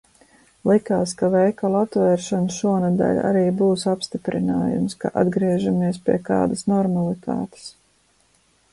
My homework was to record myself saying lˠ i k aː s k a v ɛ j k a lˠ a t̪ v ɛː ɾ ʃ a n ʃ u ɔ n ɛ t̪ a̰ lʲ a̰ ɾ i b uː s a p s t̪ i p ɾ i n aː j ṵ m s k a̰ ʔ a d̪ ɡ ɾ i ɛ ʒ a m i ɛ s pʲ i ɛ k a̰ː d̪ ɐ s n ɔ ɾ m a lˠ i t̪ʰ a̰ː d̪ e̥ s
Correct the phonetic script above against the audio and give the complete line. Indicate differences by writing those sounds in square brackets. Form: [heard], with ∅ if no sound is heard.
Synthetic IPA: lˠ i k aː s k a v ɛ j k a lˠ a t̪ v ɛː ɾ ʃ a n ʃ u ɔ n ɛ [d̪] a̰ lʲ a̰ ɾ [iː] b uː s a p s t̪ i p ɾ i n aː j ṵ m s k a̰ ʔ a d̪ ɡ ɾ i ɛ ʒ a m i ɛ s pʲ i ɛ k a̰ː d̪ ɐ s n ɔ ɾ m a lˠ i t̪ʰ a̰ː [t̪] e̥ s